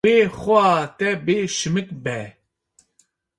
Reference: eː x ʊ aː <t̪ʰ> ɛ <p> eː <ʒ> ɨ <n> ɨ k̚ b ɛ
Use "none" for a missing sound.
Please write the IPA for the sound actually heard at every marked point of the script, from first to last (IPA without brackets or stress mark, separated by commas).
t̪, b, ʃ, m